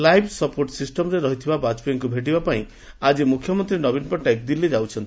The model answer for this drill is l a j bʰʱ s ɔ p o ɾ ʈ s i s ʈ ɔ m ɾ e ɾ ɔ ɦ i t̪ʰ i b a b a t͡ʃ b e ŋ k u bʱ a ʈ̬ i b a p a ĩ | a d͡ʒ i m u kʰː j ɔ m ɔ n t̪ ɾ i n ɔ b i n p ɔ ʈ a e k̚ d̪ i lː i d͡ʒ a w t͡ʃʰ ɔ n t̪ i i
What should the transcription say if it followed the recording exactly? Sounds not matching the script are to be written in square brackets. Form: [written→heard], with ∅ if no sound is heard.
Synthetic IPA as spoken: l a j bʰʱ s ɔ p o ɾ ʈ s i s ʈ ɔ m ɾ e ɾ ɔ ɦ i t̪ʰ i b a b a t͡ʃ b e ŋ k u bʱ [a→e] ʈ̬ i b a p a ĩ | a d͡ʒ i m u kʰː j ɔ m ɔ n t̪ ɾ i n ɔ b i n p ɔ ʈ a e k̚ d̪ i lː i d͡ʒ a w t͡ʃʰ ɔ n t̪ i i